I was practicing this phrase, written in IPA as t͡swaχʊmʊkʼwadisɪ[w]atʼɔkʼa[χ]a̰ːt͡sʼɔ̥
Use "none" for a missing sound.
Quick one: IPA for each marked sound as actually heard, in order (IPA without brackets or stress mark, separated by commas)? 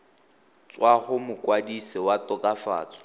w, f